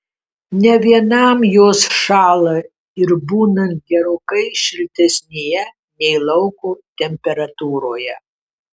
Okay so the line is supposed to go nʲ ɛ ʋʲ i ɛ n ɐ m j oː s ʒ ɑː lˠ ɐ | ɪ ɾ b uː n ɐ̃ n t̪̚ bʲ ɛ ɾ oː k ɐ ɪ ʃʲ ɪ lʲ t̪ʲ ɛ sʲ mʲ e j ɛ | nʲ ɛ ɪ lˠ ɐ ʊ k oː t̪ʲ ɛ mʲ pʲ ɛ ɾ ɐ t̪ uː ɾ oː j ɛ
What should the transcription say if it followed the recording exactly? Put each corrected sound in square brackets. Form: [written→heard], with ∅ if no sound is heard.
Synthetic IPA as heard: nʲ ɛ ʋʲ i ɛ n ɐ m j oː s [ʒ→ʃ] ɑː lˠ ɐ | ɪ ɾ b uː n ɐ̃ n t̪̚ [bʲ→ɡʲ] ɛ ɾ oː k ɐ ɪ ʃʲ ɪ lʲ t̪ʲ ɛ sʲ [mʲ→nʲ] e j ɛ | nʲ ɛ ɪ lˠ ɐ ʊ k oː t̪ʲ ɛ mʲ pʲ ɛ ɾ ɐ t̪ uː ɾ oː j ɛ